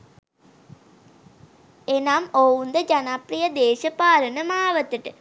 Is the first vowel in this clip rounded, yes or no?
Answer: no